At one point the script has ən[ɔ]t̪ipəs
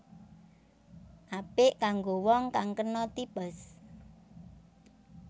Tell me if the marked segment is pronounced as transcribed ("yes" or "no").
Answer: yes